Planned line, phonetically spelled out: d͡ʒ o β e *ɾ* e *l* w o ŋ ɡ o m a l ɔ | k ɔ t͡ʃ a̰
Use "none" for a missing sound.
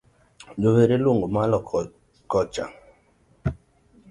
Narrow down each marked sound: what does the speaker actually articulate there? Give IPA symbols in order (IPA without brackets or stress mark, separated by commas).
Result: ɾ, l